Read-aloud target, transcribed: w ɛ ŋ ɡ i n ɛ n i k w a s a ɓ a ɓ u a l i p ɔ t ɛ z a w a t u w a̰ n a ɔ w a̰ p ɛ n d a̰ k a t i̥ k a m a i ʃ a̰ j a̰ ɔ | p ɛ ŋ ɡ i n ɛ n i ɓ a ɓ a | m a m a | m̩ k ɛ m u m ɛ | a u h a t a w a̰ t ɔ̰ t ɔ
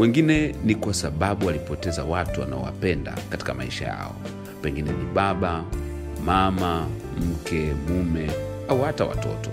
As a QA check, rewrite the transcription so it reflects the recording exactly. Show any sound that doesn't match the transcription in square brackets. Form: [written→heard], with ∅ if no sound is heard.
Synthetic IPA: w ɛ ŋ ɡ i n ɛ n i k w a s a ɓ a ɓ u a l i p ɔ t ɛ z a w a t u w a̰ n a ɔ w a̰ p ɛ n d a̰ k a t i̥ k a m a i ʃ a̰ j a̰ ɔ | p ɛ ŋ ɡ i n ɛ n i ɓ a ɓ a | m a m a | m̩ k ɛ m u m ɛ | a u h a t a w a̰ t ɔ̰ t ɔ